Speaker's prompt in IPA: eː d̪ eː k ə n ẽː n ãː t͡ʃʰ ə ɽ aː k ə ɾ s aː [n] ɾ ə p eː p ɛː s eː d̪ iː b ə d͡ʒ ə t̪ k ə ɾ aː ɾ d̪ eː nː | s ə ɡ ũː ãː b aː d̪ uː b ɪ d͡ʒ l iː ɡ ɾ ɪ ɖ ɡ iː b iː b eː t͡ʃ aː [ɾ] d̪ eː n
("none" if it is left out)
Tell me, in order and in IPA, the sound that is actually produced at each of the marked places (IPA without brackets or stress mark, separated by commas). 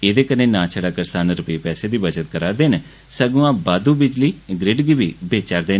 n, ɾ